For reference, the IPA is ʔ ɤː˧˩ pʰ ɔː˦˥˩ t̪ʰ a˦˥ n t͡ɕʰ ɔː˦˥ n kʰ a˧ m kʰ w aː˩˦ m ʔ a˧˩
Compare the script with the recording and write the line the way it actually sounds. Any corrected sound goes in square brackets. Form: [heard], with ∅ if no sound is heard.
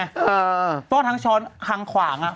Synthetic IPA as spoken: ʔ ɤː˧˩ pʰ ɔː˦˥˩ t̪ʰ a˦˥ [ŋ] t͡ɕʰ ɔː˦˥ n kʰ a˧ [ŋ] kʰ w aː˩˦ [ŋ] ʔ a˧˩